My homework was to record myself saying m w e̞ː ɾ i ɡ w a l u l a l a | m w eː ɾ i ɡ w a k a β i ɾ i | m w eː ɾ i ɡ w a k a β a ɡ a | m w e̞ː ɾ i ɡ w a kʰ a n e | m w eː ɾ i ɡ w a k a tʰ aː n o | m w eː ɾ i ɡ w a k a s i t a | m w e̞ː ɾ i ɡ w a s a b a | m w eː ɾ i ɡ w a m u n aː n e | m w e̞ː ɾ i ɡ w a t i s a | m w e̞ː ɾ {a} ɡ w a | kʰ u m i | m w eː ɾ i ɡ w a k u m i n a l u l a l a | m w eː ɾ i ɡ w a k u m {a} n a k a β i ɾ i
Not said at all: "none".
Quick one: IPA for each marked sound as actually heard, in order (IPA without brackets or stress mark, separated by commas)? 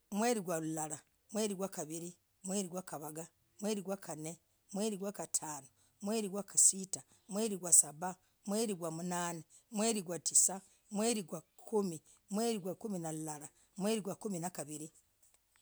i, i